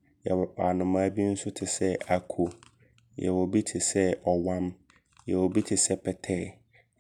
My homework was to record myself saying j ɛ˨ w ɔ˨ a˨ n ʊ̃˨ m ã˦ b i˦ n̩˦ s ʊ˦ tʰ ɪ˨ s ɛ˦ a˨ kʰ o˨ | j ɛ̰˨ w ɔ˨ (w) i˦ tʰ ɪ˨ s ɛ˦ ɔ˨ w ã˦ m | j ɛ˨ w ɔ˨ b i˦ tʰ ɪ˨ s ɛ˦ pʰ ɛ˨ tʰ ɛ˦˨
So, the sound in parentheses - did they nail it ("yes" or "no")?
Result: no